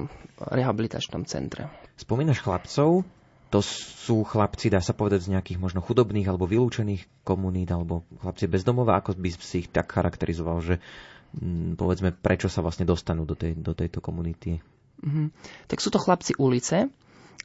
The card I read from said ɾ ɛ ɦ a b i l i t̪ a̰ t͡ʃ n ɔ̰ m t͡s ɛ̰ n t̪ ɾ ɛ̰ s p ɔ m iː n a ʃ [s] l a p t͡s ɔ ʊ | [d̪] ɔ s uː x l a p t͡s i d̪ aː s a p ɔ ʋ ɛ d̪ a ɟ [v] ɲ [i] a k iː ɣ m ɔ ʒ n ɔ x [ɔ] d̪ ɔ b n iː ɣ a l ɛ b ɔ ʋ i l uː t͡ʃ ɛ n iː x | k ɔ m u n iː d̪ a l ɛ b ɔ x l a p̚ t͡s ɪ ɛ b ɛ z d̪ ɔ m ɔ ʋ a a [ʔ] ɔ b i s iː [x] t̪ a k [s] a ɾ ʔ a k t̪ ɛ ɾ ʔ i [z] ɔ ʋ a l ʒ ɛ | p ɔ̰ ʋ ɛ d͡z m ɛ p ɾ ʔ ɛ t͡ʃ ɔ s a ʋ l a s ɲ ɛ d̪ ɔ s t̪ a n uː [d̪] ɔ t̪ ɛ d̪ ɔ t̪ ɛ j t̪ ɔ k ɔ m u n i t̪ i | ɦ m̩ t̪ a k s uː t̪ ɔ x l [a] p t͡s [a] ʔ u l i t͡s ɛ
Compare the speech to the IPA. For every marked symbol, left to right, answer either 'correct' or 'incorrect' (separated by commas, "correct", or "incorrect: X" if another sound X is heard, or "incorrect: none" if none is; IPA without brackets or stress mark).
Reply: incorrect: x, incorrect: t̪, incorrect: z, incorrect: ɛ, incorrect: u, incorrect: k, correct, incorrect: x, correct, correct, correct, incorrect: i